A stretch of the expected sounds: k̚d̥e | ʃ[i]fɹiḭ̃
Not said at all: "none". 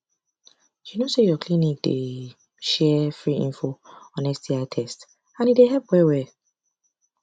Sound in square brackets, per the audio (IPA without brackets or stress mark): ɛ